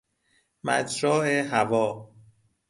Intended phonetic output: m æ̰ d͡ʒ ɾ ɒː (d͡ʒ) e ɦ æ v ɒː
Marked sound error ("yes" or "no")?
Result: yes